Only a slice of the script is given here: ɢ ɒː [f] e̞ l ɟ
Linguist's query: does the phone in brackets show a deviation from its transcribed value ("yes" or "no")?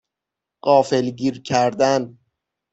no